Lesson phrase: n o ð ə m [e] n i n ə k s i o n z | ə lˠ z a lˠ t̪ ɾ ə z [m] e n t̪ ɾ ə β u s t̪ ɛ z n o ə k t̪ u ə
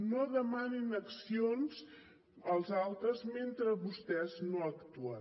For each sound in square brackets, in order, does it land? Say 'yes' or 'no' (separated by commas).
no, yes